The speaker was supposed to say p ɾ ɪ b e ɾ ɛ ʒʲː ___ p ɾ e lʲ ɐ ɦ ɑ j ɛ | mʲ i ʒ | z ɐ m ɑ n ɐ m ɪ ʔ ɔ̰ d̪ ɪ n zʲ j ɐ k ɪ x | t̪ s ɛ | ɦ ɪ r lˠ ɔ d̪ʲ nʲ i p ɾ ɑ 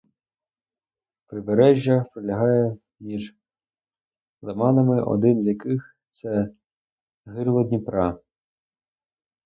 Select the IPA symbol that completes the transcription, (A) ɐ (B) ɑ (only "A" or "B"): A